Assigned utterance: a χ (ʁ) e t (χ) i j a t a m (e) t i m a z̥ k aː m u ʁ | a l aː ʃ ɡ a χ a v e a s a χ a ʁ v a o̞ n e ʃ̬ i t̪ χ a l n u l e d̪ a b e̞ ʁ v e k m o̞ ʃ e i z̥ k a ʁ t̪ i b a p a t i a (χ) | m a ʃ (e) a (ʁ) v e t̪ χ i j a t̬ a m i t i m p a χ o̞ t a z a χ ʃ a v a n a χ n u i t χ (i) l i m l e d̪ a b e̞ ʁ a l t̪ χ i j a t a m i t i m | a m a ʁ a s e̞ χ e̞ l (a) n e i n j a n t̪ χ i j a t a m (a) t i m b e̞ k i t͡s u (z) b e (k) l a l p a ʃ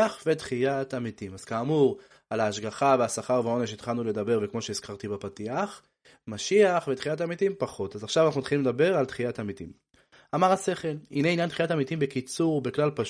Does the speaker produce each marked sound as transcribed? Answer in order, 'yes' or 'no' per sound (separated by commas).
no, yes, no, yes, no, no, yes, no, no, no, yes